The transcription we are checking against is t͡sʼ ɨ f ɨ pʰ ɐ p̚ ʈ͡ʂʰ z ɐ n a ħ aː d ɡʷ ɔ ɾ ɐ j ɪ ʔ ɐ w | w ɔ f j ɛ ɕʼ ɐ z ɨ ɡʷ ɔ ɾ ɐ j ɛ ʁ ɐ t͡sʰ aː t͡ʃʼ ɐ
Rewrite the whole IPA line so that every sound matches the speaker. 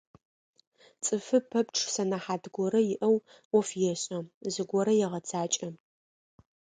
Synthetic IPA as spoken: t͡sʼ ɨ f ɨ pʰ ɐ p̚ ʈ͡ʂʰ s ɐ n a ħ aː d ɡʷ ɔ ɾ ɐ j ɪ ʔ ɐ w | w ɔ f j ɛ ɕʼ ɐ z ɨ ɡʷ ɔ ɾ ɐ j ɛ ʁ ɐ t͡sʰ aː t͡ʃʼ ɐ